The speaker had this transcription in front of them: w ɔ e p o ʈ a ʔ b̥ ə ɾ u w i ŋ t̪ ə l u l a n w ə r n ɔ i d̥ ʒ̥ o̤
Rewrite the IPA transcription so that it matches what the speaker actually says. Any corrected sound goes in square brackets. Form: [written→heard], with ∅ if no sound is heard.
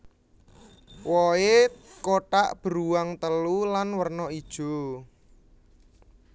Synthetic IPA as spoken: w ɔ e [p→k] o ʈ a ʔ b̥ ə ɾ u w [i→a] ŋ t̪ ə l u l a n w ə r n ɔ i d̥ ʒ̥ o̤

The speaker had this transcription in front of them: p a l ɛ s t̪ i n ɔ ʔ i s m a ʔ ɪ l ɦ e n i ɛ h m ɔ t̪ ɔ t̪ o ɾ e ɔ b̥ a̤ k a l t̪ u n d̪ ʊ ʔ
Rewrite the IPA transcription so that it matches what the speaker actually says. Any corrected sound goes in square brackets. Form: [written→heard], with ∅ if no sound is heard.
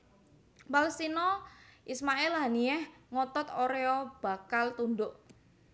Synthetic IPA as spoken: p a l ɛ s t̪ i n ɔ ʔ i s m a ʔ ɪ l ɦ [e→a] n i ɛ h [m→ŋ] ɔ t̪ ɔ t̪ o ɾ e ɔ b̥ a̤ k a l t̪ u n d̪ ʊ ʔ

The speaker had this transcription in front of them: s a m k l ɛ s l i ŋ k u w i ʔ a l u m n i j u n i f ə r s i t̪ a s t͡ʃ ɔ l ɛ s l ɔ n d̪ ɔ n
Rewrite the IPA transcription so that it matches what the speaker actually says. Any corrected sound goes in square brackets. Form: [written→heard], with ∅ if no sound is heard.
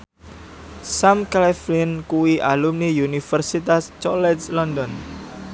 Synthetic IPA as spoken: s a m k l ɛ [s→f] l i [ŋ→n] k u w i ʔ a l u m n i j u n i f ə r s i t̪ a s t͡ʃ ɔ l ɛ s l ɔ n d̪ ɔ n

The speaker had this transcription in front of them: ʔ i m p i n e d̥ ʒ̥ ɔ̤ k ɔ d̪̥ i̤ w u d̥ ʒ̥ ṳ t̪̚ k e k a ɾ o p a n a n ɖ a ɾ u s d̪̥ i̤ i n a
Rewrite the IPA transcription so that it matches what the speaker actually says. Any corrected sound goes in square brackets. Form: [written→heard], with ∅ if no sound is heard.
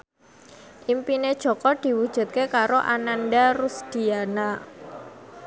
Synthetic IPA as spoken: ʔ i m p i n e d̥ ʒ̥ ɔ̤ k ɔ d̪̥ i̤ w u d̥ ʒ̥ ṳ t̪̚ k e k a ɾ o [p→ʔ] a n a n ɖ a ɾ u s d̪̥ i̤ [i→a] n a

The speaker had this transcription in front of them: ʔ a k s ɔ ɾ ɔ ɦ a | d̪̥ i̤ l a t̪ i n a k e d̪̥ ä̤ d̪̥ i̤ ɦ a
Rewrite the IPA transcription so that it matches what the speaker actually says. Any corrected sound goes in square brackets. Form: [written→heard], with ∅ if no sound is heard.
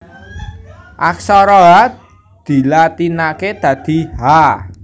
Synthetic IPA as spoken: ʔ a k s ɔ ɾ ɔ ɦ a | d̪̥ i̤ l a t̪ i n a k e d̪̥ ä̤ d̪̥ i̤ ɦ a

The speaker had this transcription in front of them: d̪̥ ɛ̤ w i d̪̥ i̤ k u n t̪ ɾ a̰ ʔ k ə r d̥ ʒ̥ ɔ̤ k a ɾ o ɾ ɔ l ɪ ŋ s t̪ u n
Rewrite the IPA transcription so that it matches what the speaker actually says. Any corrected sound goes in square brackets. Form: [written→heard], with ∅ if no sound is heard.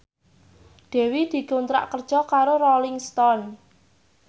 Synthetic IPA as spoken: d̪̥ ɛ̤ w i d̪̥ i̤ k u n t̪ ɾ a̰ ʔ k ə r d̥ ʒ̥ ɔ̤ k a ɾ o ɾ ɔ l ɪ ŋ s t̪ [u→ɔ] n

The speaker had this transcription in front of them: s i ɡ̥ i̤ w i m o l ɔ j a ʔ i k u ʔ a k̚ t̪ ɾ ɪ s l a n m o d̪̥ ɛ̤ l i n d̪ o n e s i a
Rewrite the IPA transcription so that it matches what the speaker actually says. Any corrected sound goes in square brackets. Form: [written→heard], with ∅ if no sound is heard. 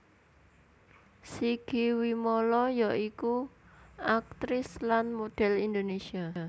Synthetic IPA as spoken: s i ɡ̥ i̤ w i m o l ɔ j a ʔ i k u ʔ a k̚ t̪ ɾ ɪ s l a n m o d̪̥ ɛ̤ l i n d̪ o n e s i a

